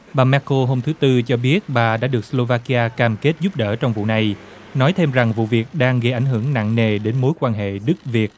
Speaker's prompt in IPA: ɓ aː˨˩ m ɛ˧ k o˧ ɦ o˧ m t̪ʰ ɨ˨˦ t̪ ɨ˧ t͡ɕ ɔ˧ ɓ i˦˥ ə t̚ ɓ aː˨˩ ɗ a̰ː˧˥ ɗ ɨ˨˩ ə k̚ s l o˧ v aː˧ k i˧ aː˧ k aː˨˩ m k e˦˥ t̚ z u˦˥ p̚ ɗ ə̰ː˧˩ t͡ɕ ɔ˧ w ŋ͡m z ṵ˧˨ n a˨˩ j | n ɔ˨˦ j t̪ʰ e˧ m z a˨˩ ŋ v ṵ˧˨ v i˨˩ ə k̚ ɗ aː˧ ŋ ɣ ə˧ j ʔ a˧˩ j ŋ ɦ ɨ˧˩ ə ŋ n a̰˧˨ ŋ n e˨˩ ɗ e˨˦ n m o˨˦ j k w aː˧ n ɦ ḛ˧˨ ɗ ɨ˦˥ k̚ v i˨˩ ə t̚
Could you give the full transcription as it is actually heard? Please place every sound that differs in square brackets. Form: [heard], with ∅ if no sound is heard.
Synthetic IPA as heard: ɓ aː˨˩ m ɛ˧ k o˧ ɦ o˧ m t̪ʰ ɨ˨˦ t̪ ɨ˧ t͡ɕ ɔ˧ ɓ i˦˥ ə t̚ ɓ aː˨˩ ɗ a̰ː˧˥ ɗ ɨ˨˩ ə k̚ s l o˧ v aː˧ k i˧ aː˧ k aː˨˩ m k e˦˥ t̚ z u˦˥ p̚ ɗ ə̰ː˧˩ t͡ɕ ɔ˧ w ŋ͡m [v] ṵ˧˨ n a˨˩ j | n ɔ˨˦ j t̪ʰ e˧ m z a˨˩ ŋ v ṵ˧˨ v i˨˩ ə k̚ ɗ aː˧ ŋ ɣ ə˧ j ʔ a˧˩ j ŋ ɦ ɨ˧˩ ə ŋ n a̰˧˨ ŋ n e˨˩ ɗ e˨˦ n m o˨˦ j k w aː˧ n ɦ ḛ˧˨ ɗ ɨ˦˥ k̚ v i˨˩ ə t̚